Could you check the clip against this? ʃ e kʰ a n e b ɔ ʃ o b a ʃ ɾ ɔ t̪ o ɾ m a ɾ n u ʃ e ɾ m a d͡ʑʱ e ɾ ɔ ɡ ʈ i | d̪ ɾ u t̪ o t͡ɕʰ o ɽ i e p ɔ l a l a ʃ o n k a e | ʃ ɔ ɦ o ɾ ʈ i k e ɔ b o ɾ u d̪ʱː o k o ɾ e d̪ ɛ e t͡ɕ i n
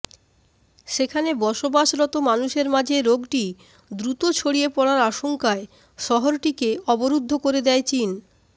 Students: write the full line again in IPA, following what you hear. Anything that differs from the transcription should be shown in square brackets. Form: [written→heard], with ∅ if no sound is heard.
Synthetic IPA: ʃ e kʰ a n e b ɔ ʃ o b a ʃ ɾ ɔ t̪ o [ɾ→∅] m a [ɾ→∅] n u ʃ e ɾ m a d͡ʑʱ e ɾ [ɔ→o] ɡ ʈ i | d̪ ɾ u t̪ o t͡ɕʰ o ɽ i e p ɔ [l→ɽ] a [l→ɾ] a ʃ o [n→ŋ] k a e | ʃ ɔ ɦ o ɾ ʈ i k e ɔ b o ɾ u d̪ʱː o k o ɾ e d̪ ɛ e t͡ɕ i n